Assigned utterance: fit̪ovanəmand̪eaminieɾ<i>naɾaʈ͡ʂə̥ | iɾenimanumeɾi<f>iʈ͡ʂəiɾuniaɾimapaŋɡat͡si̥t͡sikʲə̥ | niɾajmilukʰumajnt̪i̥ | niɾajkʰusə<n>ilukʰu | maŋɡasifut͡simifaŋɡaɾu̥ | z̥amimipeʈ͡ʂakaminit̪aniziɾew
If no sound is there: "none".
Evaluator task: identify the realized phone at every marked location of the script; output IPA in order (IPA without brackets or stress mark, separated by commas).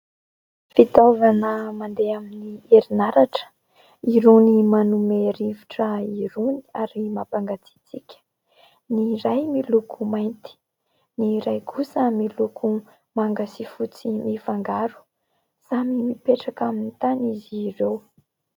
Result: i, v, m